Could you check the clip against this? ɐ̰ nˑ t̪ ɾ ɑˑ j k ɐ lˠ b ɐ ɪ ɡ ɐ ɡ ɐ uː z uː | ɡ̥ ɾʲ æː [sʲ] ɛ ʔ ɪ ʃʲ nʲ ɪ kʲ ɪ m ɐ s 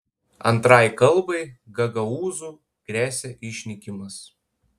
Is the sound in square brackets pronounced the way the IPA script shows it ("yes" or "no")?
yes